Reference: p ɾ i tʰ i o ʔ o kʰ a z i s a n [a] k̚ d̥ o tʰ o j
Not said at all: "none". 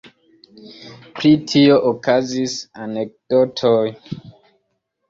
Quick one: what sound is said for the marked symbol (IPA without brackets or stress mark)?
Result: e